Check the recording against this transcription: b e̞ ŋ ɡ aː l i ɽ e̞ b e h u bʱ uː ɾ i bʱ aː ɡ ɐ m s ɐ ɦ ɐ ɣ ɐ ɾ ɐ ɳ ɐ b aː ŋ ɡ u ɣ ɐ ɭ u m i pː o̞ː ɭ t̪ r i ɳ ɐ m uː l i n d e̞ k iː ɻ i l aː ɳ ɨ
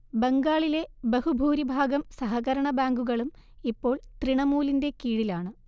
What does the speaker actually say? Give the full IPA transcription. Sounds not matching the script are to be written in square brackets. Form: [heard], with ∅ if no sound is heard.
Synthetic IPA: b e̞ ŋ ɡ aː [ɭ] i [l] e̞ b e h u bʱ uː ɾ i bʱ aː ɡ ɐ m s ɐ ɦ ɐ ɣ ɐ ɾ ɐ ɳ ɐ b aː ŋ ɡ u ɣ ɐ ɭ u m i pː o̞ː ɭ t̪ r i ɳ ɐ m uː l i n d e̞ k iː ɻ i l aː ɳ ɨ

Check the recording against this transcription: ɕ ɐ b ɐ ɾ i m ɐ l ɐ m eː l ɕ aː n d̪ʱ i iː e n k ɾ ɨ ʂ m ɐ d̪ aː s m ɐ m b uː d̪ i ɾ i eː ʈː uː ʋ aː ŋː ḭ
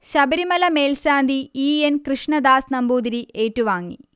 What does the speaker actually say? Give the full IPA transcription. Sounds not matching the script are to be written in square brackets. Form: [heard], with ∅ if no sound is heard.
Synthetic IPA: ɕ ɐ b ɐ ɾ i m ɐ l ɐ m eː l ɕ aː n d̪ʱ i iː e n k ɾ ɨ ʂ [ɳ] ɐ d̪ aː s [n] ɐ m b uː d̪ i ɾ i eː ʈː [u] ʋ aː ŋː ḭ

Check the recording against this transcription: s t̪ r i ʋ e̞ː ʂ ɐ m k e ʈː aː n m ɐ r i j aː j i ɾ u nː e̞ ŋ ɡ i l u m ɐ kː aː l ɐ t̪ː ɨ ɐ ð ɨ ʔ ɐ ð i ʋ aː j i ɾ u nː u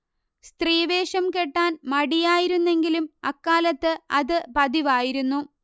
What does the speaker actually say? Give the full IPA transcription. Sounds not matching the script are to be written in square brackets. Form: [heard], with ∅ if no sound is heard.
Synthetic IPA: s t̪ r [iː] ʋ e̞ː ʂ ɐ m k e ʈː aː n m ɐ [ɽ] i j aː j i ɾ u nː e̞ ŋ ɡ i l u m ɐ kː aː l ɐ t̪ː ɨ ɐ ð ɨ [p] ɐ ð i ʋ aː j i ɾ u nː u

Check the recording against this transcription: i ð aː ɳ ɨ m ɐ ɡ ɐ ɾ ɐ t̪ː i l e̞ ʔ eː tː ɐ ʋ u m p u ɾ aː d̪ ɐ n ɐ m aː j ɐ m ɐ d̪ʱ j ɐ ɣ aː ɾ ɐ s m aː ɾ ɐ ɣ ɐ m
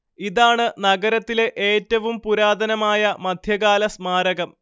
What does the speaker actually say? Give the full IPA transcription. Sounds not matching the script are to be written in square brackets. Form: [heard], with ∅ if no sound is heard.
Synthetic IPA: i ð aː ɳ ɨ [n] ɐ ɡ ɐ ɾ ɐ t̪ː i l e̞ ʔ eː tː ɐ ʋ u m p u ɾ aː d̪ ɐ n ɐ m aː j ɐ m ɐ d̪ʱ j ɐ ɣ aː [l] ɐ s m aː ɾ ɐ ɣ ɐ m

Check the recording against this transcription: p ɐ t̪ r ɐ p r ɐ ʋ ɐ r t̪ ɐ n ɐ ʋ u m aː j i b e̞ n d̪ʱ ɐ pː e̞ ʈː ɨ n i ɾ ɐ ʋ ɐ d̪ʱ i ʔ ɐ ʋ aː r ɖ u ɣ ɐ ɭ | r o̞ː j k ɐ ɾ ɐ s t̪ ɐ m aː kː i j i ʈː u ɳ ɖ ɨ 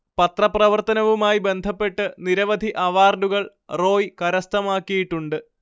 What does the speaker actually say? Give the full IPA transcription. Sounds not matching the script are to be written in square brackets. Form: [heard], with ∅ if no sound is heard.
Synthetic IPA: p ɐ t̪ r ɐ p r ɐ ʋ ɐ r t̪ ɐ n ɐ ʋ u m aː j i b e̞ n d̪ʱ ɐ pː e̞ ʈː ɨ n i ɾ ɐ ʋ ɐ d̪ʱ i ʔ ɐ ʋ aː r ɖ u ɣ ɐ ɭ | r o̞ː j k ɐ ɾ ɐ s t̪ ɐ m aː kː i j i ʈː u ɳ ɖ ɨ

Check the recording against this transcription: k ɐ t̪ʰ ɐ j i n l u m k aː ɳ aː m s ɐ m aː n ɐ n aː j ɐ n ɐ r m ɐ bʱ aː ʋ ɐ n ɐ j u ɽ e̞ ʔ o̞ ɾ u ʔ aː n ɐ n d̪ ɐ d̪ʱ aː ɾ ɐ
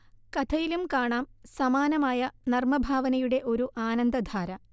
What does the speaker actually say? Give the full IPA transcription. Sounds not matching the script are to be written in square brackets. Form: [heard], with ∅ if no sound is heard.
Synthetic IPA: k ɐ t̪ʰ ɐ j i [∅] l u m k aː ɳ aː m s ɐ m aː n ɐ [m] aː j ɐ n ɐ r m ɐ bʱ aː ʋ ɐ n ɐ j u ɽ e̞ ʔ o̞ ɾ u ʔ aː n ɐ n d̪ ɐ d̪ʱ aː ɾ ɐ

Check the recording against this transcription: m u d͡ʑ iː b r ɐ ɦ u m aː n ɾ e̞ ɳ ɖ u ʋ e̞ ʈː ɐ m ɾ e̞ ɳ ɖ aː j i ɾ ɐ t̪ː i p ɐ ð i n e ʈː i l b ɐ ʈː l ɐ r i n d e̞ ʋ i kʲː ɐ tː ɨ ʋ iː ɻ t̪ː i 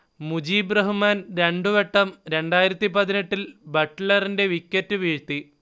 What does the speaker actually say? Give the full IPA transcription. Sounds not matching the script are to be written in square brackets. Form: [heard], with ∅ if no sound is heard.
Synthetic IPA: m u d͡ʑ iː b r ɐ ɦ u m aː n ɾ e̞ ɳ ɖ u ʋ e̞ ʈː ɐ m ɾ e̞ ɳ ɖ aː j i ɾ ɐ t̪ː i p ɐ ð i n e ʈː i l b ɐ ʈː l ɐ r i n d e̞ ʋ i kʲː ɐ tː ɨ ʋ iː ɻ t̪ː i

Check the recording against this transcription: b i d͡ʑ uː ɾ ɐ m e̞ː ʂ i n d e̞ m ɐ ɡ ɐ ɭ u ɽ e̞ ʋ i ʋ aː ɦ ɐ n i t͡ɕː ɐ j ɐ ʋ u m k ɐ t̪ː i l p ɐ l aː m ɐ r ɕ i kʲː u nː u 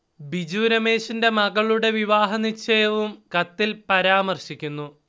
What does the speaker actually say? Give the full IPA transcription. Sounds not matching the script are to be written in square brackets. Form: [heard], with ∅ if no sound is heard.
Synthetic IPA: b i d͡ʑ uː ɾ ɐ m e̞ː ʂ i n d e̞ m ɐ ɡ ɐ ɭ u ɽ e̞ ʋ i ʋ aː ɦ ɐ n i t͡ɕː ɐ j ɐ ʋ u m k ɐ t̪ː i l p ɐ [ɾ] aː m ɐ r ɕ i kʲː u nː u

